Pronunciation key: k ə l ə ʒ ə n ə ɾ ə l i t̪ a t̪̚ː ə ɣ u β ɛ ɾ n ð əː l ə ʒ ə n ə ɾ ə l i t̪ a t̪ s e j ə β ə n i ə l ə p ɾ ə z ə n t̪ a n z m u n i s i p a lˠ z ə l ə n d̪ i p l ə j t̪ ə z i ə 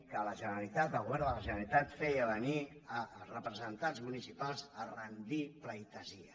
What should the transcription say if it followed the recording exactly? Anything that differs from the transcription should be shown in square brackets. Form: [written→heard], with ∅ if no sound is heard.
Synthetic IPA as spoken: k ə l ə ʒ ə n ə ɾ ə l i t̪ a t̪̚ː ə ɣ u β ɛ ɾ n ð [əː→ə] l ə ʒ ə n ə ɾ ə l i t̪ a t̪ [s→f] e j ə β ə n i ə [l→r] ə p ɾ ə z ə n t̪ a n z m u n i s i p a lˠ z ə [l→r] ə n d̪ i p l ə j t̪ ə z i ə